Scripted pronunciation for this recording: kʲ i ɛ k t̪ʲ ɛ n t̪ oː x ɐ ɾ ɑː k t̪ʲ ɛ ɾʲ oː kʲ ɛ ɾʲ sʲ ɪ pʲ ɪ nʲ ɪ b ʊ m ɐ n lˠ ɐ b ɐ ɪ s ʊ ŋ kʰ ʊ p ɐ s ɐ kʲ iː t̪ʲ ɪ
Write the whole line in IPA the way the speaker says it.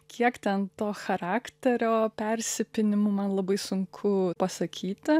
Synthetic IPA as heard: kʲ i ɛ k t̪ʲ ɛ n t̪ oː x ɐ ɾ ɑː k t̪ʲ ɛ ɾʲ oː pʲ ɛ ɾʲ sʲ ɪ pʲ ɪ nʲ ɪ m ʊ m ɐ n lˠ ɐ b ɐ ɪ s ʊ ŋ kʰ ʊ p ɐ s ɐ kʲ iː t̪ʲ ɪ

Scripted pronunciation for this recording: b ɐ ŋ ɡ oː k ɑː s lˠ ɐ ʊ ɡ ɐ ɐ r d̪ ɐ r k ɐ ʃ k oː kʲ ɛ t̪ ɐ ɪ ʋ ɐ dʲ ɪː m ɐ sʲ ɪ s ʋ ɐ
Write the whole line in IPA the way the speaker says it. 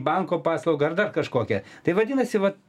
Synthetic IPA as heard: b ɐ ŋ k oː p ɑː s lˠ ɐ ʊ ɡ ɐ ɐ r d̪ ɐ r k ɐ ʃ k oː kʲ ɛ t̪ ɐ ɪ ʋ ɐ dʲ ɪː n ɐ sʲ ɪ ʋ ɐ

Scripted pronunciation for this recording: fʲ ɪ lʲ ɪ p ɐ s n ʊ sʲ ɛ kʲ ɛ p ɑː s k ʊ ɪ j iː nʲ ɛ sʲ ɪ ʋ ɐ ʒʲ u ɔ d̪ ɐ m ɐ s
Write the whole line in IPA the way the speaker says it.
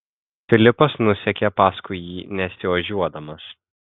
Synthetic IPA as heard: fʲ ɪ lʲ ɪ p ɐ s n ʊ sʲ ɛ kʲ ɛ p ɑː s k ʊ ɪ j iː nʲ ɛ sʲ ɪ ʋ ɐ ʒʲ u ɔ d̪ ɐ m ɐ s

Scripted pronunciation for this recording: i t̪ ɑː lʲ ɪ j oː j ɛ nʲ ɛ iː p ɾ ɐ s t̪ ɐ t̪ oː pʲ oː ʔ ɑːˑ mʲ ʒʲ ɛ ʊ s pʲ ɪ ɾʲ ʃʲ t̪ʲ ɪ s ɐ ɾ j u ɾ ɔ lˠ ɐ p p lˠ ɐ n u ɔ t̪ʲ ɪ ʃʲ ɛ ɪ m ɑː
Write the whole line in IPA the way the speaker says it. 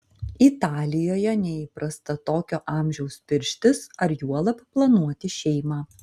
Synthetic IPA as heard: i t̪ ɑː lʲ ɪ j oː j ɛ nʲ ɛ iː p ɾ ɐ s t̪ ɐ t̪ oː kʲ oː ʔ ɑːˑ mʲ ʒʲ ɛ ʊ s pʲ ɪ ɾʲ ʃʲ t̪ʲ ɪ s ɐ ɾ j u ɔ lˠ ɐ p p lˠ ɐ n u ɔ t̪ʲ ɪ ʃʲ ɛ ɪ m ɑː

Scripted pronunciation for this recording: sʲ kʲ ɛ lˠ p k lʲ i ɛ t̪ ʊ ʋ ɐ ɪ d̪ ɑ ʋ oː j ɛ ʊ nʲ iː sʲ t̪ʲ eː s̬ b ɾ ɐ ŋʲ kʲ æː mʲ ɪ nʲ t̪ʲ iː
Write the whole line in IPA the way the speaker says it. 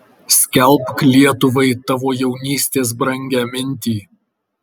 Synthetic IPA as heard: sʲ kʲ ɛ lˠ p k lʲ i ɛ t̪ ʊ ʋ ɐ ɪ t̪ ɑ ʋ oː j ɛ ʊ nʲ iː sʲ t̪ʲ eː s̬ b ɾ ɐ ŋʲ ɡʲ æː mʲ ɪ nʲ t̪ʲ iː

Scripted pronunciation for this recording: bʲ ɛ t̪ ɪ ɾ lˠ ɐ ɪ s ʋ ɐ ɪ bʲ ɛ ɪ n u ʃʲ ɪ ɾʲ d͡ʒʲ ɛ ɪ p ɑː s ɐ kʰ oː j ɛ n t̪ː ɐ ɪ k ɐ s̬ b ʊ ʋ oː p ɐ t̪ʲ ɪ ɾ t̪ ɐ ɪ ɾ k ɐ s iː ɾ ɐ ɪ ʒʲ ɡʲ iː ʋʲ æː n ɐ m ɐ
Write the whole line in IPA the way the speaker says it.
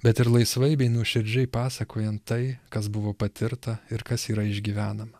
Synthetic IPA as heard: bʲ ɛ t̪ ɪ ɾ lˠ ɐ ɪ s ʋ ɐ ɪ bʲ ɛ ɪ n u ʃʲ ɪ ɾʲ d͡ʒʲ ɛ ɪ p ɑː s ɐ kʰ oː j ɛ n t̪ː ɐ ɪ k ɐ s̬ b ʊ ʋ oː p ɐ t̪ʲ ɪ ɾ t̪ ɐ ɪ ɾ k ɐ s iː ɾ ɐ ɪ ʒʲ ɡʲ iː ʋʲ æː n ɐ m ɐ

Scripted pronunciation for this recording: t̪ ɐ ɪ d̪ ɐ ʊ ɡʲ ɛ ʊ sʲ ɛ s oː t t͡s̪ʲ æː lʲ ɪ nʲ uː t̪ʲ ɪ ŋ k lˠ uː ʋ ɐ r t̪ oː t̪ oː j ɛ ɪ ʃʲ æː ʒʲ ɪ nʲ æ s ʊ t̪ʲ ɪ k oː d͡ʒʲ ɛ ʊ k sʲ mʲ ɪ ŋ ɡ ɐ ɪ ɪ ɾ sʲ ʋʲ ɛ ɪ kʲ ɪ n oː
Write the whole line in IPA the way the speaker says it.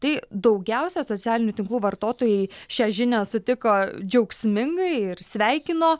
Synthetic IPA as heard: t̪ ɐ ɪ d̪ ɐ ʊ ɡʲ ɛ ʊ sʲ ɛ s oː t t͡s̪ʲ æː lʲ ɪ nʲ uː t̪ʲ ɪ ŋ k lˠ uː ʋ ɐ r t̪ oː t̪ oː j ɛ ɪ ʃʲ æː ʒʲ ɪ nʲ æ s ʊ t̪ʲ ɪ k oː d͡ʒʲ ɛ ʊ k sʲ mʲ ɪ ŋ ɡ ɐ ɪ ɪ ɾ sʲ ʋʲ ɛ ɪ kʲ ɪ n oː

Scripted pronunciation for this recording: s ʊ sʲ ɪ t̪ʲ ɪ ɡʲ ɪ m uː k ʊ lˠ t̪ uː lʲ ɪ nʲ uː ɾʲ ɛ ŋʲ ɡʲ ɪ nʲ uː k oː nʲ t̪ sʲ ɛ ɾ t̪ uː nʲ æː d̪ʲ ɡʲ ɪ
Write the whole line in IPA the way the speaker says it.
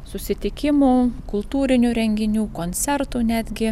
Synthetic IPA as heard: s ʊ sʲ ɪ t̪ʲ ɪ kʲ ɪ m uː k ʊ lˠ t̪ uː ɾʲ ɪ nʲ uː ɾʲ ɛ ŋʲ ɡʲ ɪ nʲ uː k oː nʲ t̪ sʲ ɛ ɾ t̪ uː nʲ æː d̪ʲ ɡʲ ɪ

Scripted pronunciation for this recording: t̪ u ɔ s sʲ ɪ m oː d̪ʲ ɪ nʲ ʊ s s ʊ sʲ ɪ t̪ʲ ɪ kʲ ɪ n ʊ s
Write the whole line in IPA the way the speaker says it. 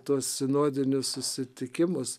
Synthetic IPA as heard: t̪ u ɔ s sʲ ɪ n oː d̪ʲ ɪ nʲ ʊ s s ʊ sʲ ɪ t̪ʲ ɪ kʲ ɪ m ʊ s

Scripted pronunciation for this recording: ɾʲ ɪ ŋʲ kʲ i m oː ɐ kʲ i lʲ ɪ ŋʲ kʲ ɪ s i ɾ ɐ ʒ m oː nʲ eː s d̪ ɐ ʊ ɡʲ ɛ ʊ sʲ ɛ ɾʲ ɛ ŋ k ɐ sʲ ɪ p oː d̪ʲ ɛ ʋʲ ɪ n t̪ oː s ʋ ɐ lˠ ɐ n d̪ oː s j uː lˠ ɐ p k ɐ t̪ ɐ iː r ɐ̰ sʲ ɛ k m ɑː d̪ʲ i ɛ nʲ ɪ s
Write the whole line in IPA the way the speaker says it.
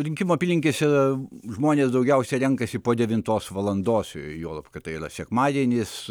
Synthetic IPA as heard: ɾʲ ɪ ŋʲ kʲ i m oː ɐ pʲ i lʲ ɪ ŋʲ kʲ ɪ s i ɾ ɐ ʒ m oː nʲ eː s d̪ ɐ ʊ ɡʲ ɛ ʊ sʲ ɛ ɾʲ ɛ ŋ k ɐ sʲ ɪ p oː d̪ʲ ɛ ʋʲ ɪ n t̪ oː s ʋ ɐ lˠ ɐ n d̪ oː s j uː lˠ ɐ p k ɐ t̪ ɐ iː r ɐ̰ sʲ ɛ k m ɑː d̪ʲ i ɛ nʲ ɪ s

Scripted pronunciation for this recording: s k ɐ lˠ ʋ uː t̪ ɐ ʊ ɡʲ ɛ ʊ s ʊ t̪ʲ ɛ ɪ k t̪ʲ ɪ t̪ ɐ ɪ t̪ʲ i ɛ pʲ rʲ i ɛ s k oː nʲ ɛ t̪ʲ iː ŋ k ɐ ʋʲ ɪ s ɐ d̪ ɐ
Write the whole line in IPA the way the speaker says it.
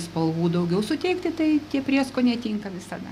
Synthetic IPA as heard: s p ɐ lˠ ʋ uː d̪ ɐ ʊ ɡʲ ɛ ʊ s ʊ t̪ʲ ɛ ɪ k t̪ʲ ɪ t̪ ɐ ɪ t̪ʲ i ɛ pʲ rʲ i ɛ s k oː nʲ ɛ t̪ʲ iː ŋ k ɐ ʋʲ ɪ s ɐ d̪ ɐ

